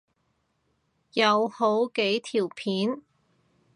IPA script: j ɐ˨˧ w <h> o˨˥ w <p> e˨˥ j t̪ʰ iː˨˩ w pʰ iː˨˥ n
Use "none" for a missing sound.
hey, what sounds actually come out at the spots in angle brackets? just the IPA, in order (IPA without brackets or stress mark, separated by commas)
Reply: h, k